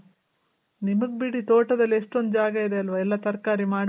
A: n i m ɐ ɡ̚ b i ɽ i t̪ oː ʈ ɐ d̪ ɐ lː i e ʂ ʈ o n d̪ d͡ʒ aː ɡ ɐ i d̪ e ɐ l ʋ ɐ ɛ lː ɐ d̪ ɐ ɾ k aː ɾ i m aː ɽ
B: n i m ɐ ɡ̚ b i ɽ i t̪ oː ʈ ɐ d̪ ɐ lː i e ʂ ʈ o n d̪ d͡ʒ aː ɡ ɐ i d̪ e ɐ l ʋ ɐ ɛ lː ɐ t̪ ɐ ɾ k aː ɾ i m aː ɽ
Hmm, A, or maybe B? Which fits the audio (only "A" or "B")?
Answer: B